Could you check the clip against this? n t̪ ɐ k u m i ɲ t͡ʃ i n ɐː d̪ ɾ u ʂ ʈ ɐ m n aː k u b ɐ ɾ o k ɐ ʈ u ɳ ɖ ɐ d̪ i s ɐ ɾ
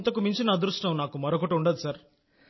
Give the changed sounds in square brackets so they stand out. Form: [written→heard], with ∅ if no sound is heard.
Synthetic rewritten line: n t̪ ɐ k u m i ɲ t͡ʃ i n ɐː d̪ ɾ u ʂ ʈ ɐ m n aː k u [b→m] ɐ ɾ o k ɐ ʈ u ɳ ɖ ɐ d̪ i s ɐ ɾ